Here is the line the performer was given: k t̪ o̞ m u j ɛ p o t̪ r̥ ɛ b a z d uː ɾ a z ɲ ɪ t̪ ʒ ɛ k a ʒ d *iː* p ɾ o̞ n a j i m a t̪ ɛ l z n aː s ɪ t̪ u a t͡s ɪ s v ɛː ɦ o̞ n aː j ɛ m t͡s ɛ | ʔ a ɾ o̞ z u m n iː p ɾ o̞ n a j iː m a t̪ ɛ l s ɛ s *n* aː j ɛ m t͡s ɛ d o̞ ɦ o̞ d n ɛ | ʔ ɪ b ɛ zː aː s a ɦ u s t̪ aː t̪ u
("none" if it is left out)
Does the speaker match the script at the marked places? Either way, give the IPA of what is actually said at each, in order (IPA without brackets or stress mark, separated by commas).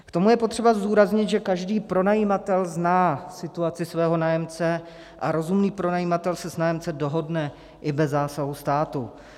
iː, n